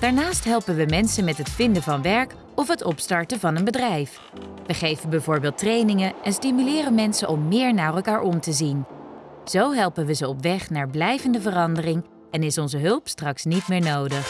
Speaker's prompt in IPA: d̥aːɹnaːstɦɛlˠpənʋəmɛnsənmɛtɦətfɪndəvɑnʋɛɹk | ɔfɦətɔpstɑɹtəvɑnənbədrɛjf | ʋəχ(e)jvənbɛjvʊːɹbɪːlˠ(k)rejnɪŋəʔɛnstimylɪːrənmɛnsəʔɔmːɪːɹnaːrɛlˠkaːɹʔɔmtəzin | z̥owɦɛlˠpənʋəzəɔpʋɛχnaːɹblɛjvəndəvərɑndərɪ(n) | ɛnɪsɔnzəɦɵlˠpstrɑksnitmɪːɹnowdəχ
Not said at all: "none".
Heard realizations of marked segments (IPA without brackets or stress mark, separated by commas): e, t, ŋ